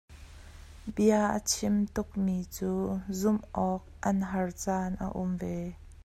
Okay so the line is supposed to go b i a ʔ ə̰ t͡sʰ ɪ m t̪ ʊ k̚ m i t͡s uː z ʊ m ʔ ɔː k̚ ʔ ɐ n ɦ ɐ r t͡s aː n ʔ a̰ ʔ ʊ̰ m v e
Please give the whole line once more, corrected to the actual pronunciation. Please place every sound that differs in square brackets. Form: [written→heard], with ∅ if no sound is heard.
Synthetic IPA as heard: b i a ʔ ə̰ t͡sʰ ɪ m t̪ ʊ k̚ m i t͡s uː z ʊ m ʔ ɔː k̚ ʔ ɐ n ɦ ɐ r t͡s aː n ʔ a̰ ʔ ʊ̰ m v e